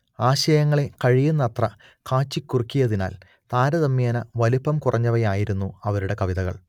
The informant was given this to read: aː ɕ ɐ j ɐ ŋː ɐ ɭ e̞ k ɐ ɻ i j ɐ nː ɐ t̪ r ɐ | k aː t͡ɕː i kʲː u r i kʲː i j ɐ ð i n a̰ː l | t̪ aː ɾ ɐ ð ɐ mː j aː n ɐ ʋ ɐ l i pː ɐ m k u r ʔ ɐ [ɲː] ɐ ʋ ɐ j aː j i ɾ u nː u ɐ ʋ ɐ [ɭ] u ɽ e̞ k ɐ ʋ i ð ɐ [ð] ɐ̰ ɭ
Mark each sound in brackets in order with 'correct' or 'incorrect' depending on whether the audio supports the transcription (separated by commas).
correct, incorrect, incorrect